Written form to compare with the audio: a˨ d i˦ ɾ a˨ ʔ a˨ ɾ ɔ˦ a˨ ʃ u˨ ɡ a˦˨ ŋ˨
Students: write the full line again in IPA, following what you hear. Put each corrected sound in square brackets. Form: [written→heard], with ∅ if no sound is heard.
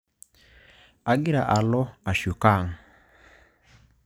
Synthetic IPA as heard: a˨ [d→ɡ] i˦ ɾ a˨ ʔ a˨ [ɾ→l] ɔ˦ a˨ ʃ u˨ [ɡ→k] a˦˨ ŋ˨